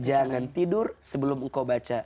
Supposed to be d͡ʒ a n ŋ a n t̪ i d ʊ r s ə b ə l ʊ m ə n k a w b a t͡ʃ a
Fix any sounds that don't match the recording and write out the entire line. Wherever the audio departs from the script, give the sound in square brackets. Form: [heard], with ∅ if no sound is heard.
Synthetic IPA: d͡ʒ a [∅] ŋ a n t̪ i d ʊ r s ə b ə l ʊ m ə [ŋ] k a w b a t͡ʃ a